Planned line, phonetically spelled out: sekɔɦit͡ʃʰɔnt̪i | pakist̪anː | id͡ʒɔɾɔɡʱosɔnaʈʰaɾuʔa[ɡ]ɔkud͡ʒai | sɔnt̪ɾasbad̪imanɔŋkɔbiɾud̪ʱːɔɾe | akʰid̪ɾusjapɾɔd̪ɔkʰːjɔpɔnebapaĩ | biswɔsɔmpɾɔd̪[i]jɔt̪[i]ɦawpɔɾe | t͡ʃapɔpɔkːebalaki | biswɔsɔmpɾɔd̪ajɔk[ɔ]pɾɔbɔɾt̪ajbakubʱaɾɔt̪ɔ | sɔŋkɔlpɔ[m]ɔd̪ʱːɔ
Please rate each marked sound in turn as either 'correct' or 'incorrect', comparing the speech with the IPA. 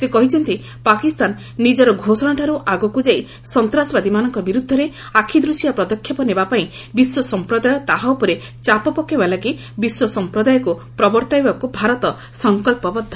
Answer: correct, incorrect, incorrect, incorrect, incorrect

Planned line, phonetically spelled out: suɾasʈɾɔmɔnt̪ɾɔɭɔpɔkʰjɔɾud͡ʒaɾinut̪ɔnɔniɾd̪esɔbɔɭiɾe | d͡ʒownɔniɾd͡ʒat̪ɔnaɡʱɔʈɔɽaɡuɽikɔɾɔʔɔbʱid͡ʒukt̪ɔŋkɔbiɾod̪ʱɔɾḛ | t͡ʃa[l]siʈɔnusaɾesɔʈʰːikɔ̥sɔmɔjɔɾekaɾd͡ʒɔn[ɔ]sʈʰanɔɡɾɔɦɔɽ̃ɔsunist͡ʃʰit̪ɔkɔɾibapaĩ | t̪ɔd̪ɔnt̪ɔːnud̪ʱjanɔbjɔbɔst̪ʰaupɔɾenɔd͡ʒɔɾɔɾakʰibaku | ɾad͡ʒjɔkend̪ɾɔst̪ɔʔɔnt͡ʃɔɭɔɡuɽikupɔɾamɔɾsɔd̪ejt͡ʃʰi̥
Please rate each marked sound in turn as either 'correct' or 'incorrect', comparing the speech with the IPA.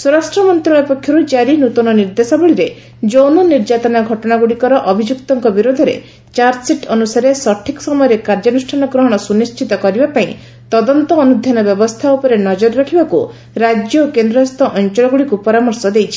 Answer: incorrect, incorrect

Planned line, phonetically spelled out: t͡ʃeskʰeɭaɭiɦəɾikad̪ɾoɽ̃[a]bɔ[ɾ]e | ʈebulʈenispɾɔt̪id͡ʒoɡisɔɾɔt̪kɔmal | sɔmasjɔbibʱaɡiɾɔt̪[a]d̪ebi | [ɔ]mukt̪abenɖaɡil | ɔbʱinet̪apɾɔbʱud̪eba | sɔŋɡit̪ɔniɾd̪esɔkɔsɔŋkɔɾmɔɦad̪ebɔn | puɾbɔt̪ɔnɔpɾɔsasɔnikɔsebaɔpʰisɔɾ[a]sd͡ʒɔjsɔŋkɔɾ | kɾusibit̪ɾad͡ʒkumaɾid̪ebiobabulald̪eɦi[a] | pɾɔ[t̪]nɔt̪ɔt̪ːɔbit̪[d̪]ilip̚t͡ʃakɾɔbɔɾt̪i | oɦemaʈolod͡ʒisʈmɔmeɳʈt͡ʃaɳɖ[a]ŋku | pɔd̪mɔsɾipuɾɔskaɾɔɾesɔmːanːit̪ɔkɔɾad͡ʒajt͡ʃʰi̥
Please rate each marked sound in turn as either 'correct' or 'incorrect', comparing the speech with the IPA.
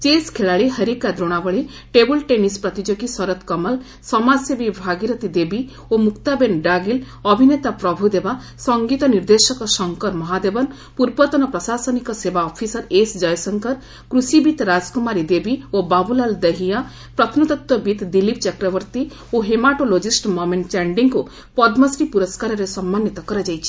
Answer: correct, incorrect, incorrect, incorrect, incorrect, correct, incorrect, correct, incorrect

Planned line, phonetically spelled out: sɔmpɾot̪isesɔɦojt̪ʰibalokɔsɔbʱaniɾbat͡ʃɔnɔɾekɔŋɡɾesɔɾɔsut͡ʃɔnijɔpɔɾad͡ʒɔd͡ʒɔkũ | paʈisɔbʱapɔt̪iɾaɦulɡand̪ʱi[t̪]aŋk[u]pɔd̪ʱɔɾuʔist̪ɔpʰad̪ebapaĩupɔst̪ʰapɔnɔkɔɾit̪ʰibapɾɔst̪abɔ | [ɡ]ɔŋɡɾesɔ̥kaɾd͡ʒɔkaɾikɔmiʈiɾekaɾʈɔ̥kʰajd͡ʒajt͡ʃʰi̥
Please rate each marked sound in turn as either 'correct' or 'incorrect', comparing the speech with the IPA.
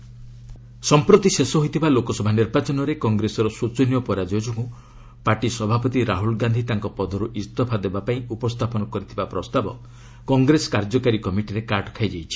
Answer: correct, incorrect, incorrect

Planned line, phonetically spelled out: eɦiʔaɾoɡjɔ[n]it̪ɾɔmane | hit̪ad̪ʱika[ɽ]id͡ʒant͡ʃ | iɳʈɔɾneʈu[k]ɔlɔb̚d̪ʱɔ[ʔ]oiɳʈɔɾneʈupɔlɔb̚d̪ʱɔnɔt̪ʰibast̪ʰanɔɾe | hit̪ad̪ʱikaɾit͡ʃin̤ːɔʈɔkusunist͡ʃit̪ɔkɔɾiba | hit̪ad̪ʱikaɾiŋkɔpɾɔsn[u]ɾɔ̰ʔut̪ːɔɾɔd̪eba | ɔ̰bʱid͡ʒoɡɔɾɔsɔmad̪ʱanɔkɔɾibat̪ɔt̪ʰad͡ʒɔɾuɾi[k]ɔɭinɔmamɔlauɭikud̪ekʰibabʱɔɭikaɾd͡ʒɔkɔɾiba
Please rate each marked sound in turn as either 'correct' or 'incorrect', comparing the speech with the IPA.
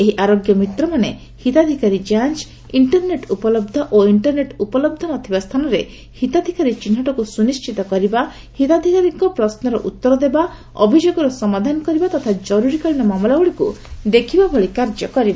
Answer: incorrect, incorrect, incorrect, correct, incorrect, correct

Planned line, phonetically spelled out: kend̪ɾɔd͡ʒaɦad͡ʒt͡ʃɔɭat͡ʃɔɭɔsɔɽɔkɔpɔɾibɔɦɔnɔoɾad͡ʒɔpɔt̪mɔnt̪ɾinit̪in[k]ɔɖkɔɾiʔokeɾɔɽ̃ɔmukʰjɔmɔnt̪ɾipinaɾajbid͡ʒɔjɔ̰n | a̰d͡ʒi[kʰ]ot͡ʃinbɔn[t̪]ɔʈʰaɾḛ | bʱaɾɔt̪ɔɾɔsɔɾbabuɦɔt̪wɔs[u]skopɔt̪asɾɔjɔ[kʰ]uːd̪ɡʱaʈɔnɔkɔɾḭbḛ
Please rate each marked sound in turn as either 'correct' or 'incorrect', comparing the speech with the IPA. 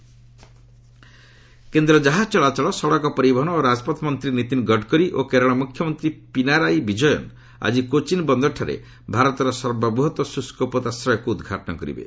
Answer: incorrect, incorrect, incorrect, correct, incorrect

